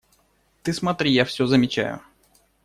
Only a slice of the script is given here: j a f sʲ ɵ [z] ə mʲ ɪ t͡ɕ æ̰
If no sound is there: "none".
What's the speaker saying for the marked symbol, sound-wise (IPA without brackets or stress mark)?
z